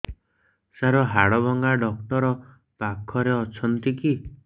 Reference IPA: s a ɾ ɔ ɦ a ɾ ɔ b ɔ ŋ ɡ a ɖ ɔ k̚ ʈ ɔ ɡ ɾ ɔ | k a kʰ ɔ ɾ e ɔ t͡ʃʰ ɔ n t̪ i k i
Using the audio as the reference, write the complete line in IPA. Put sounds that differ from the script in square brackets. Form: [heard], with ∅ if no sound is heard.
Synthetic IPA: s a ɾ ɔ ɦ a [ɽ] ɔ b ɔ ŋ ɡ a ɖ ɔ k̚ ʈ ɔ [∅] ɾ ɔ | [p] a kʰ ɔ ɾ e ɔ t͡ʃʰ ɔ n t̪ i k i